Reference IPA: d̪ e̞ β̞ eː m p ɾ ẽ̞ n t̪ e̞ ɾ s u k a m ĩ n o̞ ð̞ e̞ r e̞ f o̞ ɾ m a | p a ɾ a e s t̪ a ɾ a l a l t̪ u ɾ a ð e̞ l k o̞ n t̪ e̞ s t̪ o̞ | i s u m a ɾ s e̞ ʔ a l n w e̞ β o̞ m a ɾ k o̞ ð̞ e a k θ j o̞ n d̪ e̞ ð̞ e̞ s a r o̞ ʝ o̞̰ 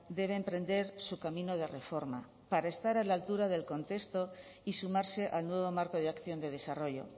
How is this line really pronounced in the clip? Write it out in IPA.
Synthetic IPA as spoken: d̪ e̞ β̞ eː m p ɾ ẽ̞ n d̪ e̞ ɾ s u k a m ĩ n o̞ ð̞ e̞ r e̞ f o̞ ɾ m a | p a ɾ a e s t̪ a ɾ a l a l t̪ u ɾ a ð e̞ l k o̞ n t̪ e̞ s t̪ o̞ | i s u m a ɾ s e̞ ʔ a l n w e̞ β o̞ m a ɾ k o̞ ð̞ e a k θ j o̞ n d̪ e̞ ð̞ e̞ s a r o̞ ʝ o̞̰

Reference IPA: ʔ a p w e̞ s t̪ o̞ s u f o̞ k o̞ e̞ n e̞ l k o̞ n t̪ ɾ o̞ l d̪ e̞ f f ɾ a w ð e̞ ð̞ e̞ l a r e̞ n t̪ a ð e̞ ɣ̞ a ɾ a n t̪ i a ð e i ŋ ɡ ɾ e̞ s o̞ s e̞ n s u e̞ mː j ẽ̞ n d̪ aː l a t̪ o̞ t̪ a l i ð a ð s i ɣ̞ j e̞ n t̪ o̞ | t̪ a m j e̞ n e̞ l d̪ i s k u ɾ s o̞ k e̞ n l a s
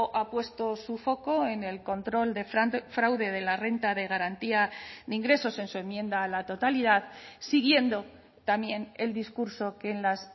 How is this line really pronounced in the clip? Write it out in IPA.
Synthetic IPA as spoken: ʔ a p w e̞ s t̪ o̞ s u f o̞ k o̞ e̞ n e̞ l k o̞ n t̪ ɾ o̞ l d̪ e̞ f f ɾ a w ð e̞ ð̞ e̞ l a r e̞ n t̪ a ð e̞ ɣ̞ a ɾ a n t̪ i a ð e i ŋ ɡ ɾ e̞ s o̞ s e̞ n s u e̞ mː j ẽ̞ n d̪ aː l a t̪ o̞ t̪ a l i ð a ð s i ɣ̞ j e̞ n d̪ o̞ | t̪ a m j e̞ n e̞ l d̪ i s k u ɾ s o̞ k e̞ n l a s

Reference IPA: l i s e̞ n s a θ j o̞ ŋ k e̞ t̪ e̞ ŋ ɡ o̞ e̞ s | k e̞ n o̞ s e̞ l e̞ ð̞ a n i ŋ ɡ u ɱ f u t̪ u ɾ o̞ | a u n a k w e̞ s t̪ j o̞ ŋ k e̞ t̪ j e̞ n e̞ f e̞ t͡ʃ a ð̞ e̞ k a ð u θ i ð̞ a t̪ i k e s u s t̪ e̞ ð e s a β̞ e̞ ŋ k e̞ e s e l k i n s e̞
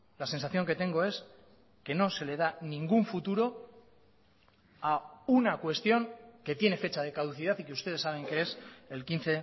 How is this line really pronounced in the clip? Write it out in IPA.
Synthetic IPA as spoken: l a s e̞ n s a θ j o̞ ŋ k e̞ t̪ e̞ ŋ ɡ o̞ e̞ s | k e̞ n o̞ s e̞ l e̞ ð̞ a n i ŋ ɡ u ɱ f u t̪ u ɾ o̞ | a u n a k w e̞ s t̪ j o̞ ŋ k e̞ t̪ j e̞ n e̞ f e̞ t͡ʃ a ð̞ e̞ k a ð u θ i ð̞ a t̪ i k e u s t̪ e̞ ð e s a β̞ e̞ ŋ k e̞ e s e l k i n θ e̞

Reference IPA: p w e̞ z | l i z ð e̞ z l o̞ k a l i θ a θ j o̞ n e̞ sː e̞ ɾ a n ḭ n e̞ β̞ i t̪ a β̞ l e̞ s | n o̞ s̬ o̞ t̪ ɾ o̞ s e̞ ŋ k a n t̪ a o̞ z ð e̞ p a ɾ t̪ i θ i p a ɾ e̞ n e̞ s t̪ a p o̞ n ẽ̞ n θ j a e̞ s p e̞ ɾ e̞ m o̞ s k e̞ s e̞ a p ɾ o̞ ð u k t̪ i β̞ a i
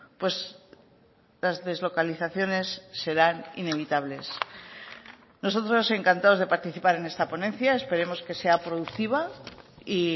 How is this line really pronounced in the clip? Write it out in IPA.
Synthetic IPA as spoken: p w e̞ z | l a z ð e̞ z l o̞ k a l i θ a θ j o̞ n e̞ sː e̞ ɾ a n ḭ n e̞ β̞ i t̪ a β̞ l e̞ s | n o̞ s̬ o̞ t̪ ɾ o̞ s e̞ ŋ k a n t̪ a o̞ z ð e̞ p a ɾ t̪ i θ i p a ɾ e̞ n e̞ s t̪ a p o̞ n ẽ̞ n θ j a e̞ s p e̞ ɾ e̞ m o̞ s k e̞ s e̞ a p ɾ o̞ ð u k t̪ i β̞ a i

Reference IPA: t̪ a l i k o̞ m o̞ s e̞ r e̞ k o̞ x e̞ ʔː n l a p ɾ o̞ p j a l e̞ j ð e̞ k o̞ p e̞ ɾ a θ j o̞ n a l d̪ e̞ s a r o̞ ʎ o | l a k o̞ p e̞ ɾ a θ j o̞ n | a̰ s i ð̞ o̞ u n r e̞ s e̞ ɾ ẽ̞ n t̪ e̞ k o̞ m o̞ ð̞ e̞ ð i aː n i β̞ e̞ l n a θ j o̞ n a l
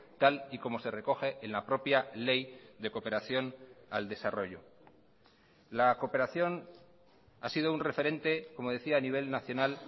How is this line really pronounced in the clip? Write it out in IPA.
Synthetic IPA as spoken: t̪ a l i k o̞ m o̞ s e̞ r e̞ k o̞ x e̞ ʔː n l a p ɾ o̞ p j a l e̞ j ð e̞ k o̞ p e̞ ɾ a θ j o̞ n a l d̪ e̞ s a r o̞ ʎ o | l a k o̞ p e̞ ɾ a θ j o̞ n | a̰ s i ð̞ o̞ u n r e̞ f e̞ ɾ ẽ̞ n t̪ e̞ k o̞ m o̞ ð̞ e̞ θ i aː n i β̞ e̞ l n a θ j o̞ n a l

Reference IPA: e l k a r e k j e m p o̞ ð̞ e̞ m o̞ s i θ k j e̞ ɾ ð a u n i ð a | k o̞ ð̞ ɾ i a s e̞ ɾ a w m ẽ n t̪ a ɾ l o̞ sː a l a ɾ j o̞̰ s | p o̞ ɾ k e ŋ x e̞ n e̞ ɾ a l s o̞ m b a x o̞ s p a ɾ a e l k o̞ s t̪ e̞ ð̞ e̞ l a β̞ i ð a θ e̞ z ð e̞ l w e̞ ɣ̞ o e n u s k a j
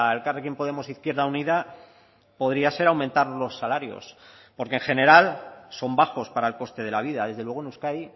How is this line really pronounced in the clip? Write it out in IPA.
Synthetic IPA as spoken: e l k a r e k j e m p o̞ ð̞ e̞ m o̞ s i θ k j e̞ ɾ ð a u n i ð a | p o̞ ð̞ ɾ i a s e̞ ɾ a w m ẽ n t̪ a ɾ l o̞ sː a l a ɾ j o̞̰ s | p o̞ ɾ k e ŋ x e̞ n e̞ ɾ a l s o̞ m b a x o̞ s p a ɾ a e l k o̞ s t̪ e̞ ð̞ e̞ l a β̞ i ð a ð e̞ z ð e̞ l w e̞ ɣ̞ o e n u s k a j

